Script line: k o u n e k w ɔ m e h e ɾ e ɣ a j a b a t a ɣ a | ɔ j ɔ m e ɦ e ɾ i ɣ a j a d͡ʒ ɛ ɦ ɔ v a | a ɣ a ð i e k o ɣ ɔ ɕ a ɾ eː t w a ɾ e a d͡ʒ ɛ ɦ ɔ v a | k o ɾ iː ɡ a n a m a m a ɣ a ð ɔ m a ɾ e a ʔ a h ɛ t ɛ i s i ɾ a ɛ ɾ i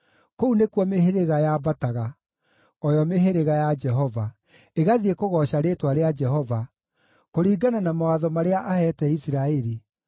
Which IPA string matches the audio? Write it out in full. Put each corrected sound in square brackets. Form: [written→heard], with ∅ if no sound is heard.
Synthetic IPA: k o u n e k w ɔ m e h e ɾ e ɣ a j a b a t a ɣ a | ɔ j ɔ m e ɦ e ɾ [i→e] ɣ a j a d͡ʒ ɛ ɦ ɔ v a | [a→e] ɣ a ð i e k o ɣ ɔ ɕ a ɾ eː t w a ɾ e a d͡ʒ ɛ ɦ ɔ v a | k o ɾ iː ɡ a n a [m→n] a m a [ɣ→w] a ð ɔ m a ɾ e a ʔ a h ɛ t ɛ i s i ɾ a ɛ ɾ i